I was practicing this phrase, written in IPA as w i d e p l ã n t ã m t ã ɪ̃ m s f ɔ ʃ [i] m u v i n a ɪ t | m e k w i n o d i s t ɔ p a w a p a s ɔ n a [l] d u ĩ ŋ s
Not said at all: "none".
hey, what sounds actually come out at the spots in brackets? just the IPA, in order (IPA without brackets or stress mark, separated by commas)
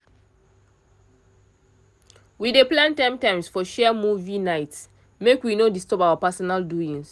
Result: ɛ, l